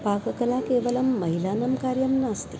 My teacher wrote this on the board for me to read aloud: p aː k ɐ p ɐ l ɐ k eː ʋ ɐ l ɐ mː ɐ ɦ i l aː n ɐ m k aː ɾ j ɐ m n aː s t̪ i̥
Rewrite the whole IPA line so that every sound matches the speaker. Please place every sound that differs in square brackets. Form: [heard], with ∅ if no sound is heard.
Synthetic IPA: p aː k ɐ [k] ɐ l [a] k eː ʋ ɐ l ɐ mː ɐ ɦ i l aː n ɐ m k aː ɾ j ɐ m n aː s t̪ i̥

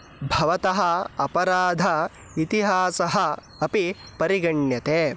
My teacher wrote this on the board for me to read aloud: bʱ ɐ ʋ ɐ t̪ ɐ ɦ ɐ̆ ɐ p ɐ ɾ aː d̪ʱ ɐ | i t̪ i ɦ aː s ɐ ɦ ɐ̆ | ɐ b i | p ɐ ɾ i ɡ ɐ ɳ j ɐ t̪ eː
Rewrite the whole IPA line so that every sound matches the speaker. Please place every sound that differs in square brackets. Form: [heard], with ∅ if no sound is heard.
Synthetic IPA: bʱ ɐ ʋ ɐ t̪ ɐ ɦ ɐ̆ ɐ p ɐ ɾ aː d̪ʱ ɐ | i t̪ i ɦ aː s ɐ ɦ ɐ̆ | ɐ [p] i | p ɐ ɾ i ɡ ɐ ɳ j ɐ t̪ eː

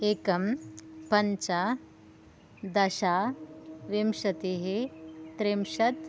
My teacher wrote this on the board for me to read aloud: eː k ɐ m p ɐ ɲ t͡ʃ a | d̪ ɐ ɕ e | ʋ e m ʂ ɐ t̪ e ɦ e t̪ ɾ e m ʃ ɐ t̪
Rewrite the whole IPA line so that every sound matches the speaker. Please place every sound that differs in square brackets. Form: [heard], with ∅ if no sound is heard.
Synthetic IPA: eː k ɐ m p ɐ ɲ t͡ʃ a | d̪ ɐ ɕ [a] | ʋ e m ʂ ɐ t̪ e ɦ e t̪ ɾ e m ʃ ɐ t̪

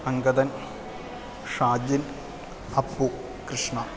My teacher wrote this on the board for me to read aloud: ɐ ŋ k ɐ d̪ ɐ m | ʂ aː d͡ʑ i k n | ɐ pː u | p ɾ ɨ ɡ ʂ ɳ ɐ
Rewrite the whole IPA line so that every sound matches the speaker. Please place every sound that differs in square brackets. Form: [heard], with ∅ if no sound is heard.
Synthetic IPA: ɐ ŋ [ɡ] ɐ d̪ ɐ [n] | ʂ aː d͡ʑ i [∅] n | ɐ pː u | [k] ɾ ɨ [∅] ʂ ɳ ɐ

